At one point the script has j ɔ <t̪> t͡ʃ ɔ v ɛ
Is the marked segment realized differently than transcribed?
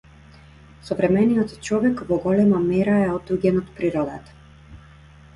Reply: no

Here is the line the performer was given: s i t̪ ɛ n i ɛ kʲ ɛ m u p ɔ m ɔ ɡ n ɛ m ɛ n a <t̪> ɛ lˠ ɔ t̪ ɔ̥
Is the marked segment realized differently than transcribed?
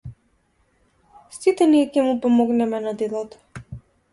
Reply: yes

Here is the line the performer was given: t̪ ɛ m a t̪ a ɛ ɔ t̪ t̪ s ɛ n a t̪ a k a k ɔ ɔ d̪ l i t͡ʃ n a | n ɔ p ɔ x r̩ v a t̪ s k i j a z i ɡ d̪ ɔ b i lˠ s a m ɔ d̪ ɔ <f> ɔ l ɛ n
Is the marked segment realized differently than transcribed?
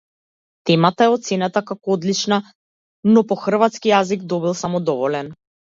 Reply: yes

